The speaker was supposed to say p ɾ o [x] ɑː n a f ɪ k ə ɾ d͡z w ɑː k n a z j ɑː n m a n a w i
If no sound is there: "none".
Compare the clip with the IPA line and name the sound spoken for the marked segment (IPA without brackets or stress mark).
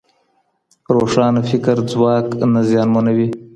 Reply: ʂ